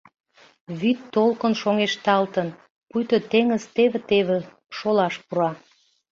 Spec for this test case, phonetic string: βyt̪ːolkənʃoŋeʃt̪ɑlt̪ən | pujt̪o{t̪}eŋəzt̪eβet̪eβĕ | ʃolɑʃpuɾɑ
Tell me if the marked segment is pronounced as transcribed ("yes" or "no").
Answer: yes